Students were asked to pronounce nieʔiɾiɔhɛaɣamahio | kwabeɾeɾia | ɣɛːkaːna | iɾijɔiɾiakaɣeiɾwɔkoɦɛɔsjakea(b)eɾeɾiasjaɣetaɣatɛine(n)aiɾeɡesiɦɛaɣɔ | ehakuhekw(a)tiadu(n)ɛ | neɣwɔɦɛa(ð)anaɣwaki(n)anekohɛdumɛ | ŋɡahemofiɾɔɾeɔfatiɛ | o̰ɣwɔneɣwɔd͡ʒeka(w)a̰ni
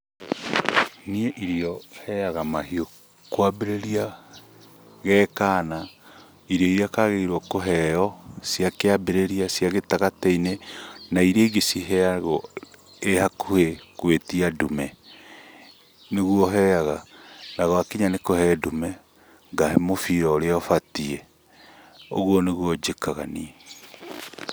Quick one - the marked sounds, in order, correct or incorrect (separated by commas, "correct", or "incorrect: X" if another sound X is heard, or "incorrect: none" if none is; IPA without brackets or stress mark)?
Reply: correct, correct, incorrect: e, incorrect: m, incorrect: ɣ, incorrect: ɲ, incorrect: ɣ